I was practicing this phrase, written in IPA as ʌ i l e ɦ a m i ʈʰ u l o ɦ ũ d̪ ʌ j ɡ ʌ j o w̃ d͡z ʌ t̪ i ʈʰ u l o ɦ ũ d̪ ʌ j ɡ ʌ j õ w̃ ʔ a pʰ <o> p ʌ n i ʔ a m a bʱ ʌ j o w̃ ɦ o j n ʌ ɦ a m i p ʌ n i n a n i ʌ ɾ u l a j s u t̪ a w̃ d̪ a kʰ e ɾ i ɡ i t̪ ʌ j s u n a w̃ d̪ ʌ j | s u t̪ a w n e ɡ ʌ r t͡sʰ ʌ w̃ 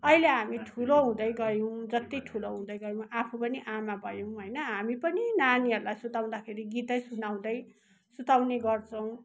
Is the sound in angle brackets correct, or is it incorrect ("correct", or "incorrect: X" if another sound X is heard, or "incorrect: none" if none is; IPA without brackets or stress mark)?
incorrect: u